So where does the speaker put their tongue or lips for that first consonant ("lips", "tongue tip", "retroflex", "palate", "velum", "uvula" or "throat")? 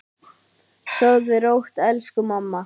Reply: tongue tip